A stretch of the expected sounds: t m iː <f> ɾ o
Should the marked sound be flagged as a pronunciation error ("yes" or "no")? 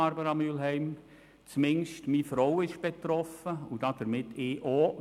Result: no